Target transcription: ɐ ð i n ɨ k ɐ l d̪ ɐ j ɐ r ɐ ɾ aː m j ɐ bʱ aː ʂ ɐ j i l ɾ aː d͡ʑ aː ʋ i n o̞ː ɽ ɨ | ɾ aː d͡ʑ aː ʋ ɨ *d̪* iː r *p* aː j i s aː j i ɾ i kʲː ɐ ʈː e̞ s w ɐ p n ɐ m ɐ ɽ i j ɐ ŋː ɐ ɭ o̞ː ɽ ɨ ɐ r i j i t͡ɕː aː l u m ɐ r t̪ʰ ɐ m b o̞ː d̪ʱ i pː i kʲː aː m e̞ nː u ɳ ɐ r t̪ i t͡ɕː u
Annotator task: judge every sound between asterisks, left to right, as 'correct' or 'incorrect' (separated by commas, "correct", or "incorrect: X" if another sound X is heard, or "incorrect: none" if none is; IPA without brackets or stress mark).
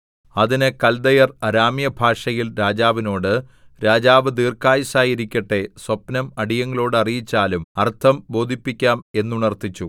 correct, incorrect: k